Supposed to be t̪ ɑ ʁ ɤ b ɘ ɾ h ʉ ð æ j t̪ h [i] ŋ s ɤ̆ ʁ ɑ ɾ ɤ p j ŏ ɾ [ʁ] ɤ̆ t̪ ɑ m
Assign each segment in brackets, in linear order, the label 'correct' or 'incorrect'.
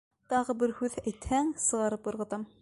incorrect, correct

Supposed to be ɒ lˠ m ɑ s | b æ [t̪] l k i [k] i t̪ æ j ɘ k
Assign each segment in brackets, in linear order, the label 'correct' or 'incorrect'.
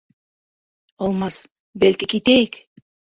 incorrect, correct

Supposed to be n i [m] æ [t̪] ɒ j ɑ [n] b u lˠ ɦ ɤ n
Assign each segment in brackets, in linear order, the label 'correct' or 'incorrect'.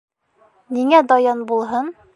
incorrect, incorrect, correct

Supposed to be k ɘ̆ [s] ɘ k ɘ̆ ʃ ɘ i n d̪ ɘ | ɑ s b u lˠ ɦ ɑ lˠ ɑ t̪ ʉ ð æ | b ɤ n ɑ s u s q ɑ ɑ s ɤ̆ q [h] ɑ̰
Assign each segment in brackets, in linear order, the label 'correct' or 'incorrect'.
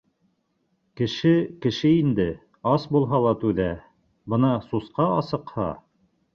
incorrect, correct

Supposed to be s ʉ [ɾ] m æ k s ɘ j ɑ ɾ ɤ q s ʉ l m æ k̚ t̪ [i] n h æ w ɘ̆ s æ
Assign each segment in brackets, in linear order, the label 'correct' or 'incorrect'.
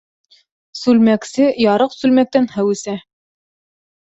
incorrect, incorrect

